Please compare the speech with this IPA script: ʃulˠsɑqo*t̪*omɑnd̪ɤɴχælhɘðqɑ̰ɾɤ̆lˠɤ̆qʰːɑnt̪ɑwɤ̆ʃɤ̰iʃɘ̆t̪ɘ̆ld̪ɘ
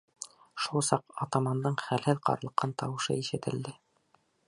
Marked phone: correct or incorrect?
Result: correct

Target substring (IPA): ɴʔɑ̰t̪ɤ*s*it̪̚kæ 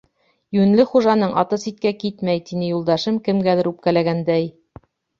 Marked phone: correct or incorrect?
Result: correct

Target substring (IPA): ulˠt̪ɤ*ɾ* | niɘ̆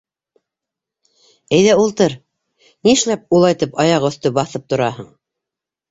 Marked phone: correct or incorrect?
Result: correct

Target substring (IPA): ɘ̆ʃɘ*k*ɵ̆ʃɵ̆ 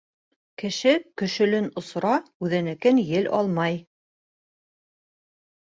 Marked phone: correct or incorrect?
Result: correct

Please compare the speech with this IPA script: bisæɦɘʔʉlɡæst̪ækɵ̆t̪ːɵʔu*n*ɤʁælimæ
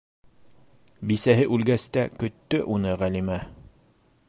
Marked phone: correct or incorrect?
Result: correct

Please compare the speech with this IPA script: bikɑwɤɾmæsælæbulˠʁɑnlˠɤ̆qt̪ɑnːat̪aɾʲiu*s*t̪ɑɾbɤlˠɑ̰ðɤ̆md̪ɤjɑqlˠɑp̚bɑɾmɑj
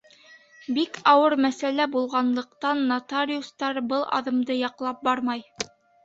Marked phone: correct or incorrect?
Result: correct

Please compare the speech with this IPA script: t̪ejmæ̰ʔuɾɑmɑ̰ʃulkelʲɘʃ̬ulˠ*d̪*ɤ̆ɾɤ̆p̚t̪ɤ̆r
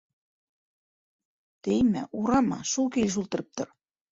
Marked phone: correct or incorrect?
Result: incorrect: t̪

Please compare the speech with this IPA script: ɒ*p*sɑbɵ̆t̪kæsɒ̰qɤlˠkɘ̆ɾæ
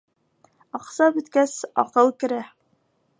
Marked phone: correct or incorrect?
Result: incorrect: q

